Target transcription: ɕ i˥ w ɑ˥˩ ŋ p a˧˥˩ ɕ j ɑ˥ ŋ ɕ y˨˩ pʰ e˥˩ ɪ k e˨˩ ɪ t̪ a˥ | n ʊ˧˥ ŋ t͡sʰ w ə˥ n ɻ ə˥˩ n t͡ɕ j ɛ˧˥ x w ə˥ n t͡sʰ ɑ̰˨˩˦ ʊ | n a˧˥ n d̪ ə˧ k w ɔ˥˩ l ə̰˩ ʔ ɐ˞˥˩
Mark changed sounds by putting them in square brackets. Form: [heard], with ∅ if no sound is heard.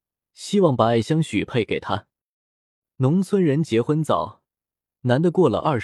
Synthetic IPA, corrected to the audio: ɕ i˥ w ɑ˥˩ ŋ p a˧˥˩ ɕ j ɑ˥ ŋ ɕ y˨˩ pʰ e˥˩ ɪ k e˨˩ ɪ [t̪ʰ] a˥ | n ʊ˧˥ ŋ t͡sʰ w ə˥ n ɻ [ə˧˥] n t͡ɕ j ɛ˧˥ x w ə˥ n [t͡s] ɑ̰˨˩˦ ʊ | n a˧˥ n d̪ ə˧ k w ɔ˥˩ l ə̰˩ ʔ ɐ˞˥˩